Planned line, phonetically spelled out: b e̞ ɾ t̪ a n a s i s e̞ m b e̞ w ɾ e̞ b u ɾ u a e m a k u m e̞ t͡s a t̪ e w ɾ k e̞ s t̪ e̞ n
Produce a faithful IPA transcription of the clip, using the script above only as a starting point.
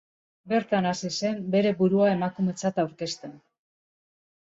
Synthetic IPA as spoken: b e̞ ɾ t̪ a n a s i s e̞ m b e̞ ɾ e̞ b u ɾ u a e m a k u m e̞ t͡s a t̪ a w ɾ k e̞ s t̪ e̞ n